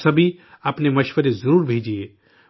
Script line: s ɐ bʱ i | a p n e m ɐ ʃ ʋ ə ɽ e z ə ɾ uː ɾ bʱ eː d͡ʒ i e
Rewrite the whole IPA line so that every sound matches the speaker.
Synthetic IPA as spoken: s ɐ bʱ i | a p n e m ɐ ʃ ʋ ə ɾ e z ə ɾ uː ɾ bʱ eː d͡ʒ i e